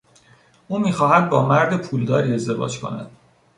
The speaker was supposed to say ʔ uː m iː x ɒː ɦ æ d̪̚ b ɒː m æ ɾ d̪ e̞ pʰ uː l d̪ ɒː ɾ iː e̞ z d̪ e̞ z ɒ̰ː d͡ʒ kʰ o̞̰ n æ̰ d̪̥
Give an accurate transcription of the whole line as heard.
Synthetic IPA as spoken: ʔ uː m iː x ɒː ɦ æ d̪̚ b ɒː m æ ɾ d̪ e̞ pʰ uː l d̪ ɒː ɾ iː e̞ z d̪ e̞ v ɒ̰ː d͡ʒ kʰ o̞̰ n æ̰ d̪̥

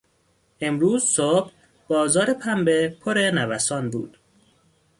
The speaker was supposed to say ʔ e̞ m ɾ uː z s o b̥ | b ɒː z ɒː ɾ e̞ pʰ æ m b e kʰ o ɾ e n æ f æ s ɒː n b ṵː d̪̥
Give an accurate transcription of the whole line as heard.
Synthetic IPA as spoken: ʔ e̞ m ɾ uː z s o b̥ | b ɒː z ɒː ɾ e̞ pʰ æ m b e pʰ o ɾ e n æ v æ s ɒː n b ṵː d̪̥

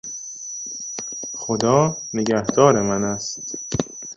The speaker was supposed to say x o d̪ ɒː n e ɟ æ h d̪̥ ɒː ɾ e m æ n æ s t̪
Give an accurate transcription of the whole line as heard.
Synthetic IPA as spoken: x o d̪ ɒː n e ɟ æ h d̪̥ ɒː ɾ e m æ n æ s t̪

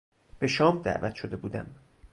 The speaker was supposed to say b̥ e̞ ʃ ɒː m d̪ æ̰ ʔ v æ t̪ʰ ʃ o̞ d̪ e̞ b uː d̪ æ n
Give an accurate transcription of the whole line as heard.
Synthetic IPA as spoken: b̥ e̞ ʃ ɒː m d̪ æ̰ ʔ v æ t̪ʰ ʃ o̞ d̪ e̞ b uː d̪ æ m

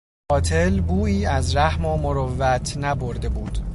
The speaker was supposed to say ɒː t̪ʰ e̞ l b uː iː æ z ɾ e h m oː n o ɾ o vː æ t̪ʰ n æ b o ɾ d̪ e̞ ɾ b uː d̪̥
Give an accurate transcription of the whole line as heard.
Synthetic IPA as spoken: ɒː t̪ʰ e̞ l b uː iː æ z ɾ æ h m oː m o ɾ o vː æ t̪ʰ n æ b o ɾ d̪ e̞ b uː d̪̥

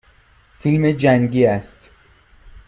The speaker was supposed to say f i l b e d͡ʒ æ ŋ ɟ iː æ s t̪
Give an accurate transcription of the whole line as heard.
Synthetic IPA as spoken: f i l m e d͡ʒ æ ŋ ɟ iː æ s t̪

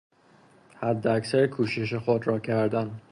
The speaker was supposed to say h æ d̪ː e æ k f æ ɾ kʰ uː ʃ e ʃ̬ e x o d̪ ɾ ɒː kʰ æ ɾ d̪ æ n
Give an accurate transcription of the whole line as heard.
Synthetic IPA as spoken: h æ d̪ː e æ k s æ ɾ kʰ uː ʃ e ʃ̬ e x o d̪ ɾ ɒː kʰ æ ɾ d̪ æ n

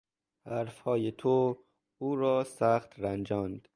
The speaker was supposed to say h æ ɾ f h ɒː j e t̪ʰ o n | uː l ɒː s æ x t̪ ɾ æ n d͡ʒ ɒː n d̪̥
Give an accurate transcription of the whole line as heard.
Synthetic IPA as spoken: h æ ɾ f h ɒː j e t̪ʰ o | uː ɾ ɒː s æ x t̪ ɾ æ n d͡ʒ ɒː n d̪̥

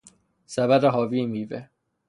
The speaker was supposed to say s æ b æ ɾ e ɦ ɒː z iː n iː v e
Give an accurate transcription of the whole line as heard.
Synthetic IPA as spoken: s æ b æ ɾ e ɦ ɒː v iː m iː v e

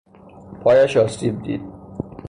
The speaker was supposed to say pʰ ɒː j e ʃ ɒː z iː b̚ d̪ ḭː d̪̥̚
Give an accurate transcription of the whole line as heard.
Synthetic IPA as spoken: pʰ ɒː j æ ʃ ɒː s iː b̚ d̪ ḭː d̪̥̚

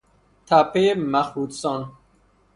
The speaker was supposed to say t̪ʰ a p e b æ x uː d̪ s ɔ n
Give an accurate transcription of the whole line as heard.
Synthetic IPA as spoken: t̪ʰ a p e m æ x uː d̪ s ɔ n

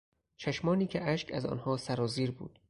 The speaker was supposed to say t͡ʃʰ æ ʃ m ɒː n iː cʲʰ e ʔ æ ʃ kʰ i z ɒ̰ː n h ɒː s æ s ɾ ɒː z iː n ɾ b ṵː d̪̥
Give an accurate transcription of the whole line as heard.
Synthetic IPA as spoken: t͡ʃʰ æ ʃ m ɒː n iː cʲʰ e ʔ æ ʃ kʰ æ z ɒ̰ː n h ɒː s æ ɾ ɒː z iː ɾ b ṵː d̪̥

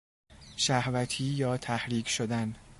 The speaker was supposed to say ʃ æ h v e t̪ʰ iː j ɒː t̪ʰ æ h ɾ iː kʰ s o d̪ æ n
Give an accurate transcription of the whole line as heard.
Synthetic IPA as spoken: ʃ æ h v æ t̪ʰ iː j ɒː t̪ʰ æ h ɾ iː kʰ ʃ o d̪ æ n

